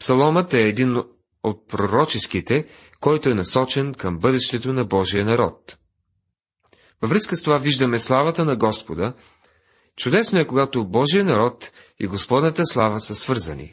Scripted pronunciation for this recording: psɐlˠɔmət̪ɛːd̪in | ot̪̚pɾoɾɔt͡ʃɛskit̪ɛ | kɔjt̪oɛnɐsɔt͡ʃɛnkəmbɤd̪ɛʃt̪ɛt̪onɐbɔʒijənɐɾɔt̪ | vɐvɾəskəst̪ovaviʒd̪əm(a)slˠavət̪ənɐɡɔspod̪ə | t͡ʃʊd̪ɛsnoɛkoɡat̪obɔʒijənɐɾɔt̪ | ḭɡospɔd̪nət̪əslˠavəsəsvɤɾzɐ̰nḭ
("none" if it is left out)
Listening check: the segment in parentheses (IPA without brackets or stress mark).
ɛ